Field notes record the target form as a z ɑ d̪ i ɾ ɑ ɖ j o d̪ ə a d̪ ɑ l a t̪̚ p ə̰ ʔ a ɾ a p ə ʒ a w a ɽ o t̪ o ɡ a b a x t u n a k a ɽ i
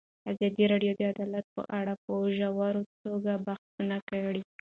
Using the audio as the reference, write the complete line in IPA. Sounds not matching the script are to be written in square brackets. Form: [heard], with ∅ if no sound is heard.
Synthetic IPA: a z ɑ d̪ i ɾ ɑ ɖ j o d̪ ə a d̪ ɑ l a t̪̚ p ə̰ ʔ a [ɽ] a p ə ʒ a w a [ɾ] o t̪ o ɡ a b a x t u n a k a ɽ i